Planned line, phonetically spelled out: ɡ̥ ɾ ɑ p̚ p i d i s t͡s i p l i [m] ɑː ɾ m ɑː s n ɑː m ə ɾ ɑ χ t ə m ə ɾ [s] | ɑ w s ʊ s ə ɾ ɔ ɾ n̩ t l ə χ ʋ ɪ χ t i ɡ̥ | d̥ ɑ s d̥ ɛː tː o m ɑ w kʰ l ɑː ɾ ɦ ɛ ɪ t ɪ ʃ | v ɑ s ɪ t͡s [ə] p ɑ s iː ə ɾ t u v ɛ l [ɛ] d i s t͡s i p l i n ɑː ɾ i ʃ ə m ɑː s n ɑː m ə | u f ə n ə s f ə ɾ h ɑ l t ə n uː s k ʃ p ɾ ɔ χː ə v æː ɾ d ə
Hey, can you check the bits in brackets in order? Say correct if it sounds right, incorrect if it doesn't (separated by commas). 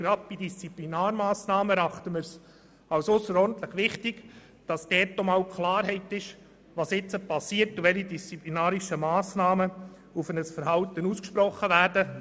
incorrect, correct, correct, incorrect